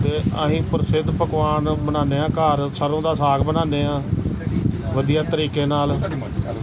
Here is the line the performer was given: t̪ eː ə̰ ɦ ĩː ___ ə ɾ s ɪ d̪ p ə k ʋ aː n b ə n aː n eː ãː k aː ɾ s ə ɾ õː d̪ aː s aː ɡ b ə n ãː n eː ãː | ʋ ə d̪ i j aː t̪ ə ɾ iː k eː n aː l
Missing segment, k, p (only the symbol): p